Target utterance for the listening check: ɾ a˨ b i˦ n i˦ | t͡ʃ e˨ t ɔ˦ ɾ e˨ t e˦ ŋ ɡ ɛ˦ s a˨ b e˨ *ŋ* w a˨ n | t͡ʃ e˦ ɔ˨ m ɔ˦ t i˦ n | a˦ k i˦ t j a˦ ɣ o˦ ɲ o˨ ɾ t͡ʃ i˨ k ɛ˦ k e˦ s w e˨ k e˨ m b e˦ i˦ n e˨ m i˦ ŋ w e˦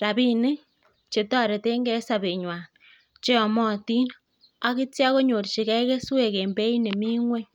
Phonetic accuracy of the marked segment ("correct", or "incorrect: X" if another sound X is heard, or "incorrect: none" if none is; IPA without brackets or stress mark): incorrect: ɲ